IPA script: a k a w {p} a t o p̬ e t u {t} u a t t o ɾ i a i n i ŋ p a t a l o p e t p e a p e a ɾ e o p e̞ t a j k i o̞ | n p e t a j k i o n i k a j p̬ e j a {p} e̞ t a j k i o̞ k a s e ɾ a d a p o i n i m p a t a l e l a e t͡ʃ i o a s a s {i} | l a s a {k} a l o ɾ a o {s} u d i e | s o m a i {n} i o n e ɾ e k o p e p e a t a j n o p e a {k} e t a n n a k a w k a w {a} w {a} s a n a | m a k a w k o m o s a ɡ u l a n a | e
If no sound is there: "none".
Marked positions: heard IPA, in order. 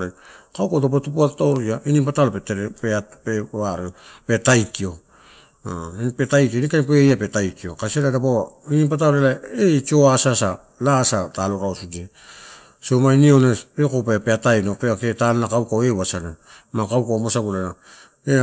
k, p, p, a, t, s, n, k, e, a

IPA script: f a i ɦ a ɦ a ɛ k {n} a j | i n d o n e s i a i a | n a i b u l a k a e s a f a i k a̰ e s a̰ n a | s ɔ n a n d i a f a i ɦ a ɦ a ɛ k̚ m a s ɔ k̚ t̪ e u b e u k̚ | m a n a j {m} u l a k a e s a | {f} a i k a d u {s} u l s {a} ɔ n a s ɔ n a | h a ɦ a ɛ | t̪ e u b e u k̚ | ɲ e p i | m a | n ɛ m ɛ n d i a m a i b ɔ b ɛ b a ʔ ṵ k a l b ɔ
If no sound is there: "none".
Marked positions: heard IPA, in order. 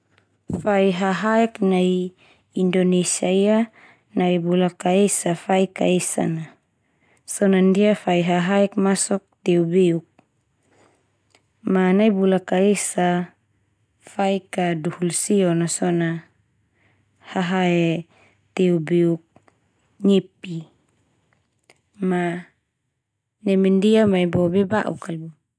n, b, f, h, i

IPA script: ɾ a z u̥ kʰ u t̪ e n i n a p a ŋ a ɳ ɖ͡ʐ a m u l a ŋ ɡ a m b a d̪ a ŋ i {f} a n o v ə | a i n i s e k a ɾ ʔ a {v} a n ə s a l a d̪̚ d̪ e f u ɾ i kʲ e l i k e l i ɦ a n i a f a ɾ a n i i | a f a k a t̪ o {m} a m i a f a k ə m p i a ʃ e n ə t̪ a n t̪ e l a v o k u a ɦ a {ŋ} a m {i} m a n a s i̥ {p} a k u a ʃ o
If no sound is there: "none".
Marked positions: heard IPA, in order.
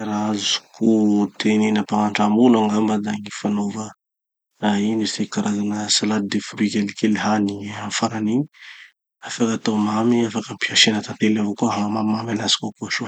f, z, m, m, a, k

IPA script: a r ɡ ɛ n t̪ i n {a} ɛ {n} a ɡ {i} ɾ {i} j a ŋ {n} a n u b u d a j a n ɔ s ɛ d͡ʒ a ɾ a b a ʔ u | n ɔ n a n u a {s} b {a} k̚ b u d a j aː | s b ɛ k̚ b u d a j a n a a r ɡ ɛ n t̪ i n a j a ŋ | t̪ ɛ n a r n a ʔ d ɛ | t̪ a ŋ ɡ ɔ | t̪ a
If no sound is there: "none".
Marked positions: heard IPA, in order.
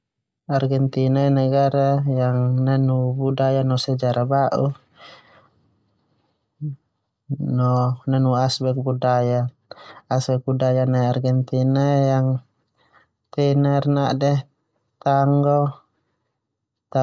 a, n, a, a, n, s, ɛ

